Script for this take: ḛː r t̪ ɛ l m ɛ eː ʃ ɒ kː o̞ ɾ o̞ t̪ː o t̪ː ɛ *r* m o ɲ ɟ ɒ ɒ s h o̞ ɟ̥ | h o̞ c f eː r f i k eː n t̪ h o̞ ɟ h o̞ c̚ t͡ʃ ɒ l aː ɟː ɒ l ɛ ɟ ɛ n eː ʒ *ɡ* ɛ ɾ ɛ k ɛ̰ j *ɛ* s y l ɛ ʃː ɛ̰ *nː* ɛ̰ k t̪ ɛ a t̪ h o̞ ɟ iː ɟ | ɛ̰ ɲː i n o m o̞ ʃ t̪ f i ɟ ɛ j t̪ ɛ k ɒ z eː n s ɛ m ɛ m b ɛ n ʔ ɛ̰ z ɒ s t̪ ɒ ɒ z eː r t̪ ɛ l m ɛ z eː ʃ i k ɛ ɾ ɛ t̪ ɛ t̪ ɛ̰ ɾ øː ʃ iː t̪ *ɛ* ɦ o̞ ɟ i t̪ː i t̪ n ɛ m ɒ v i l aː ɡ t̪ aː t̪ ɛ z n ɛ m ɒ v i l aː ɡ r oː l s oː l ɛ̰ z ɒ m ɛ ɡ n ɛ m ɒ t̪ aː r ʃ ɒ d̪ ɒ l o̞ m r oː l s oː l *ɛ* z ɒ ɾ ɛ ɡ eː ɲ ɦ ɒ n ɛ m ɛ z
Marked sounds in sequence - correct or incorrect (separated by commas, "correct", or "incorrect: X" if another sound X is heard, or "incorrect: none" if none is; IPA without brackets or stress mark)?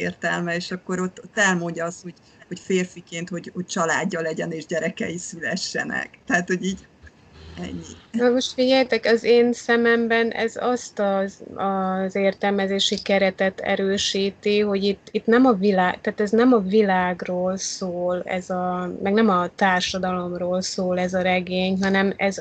incorrect: l, incorrect: ɟ, incorrect: i, incorrect: n, incorrect: i, correct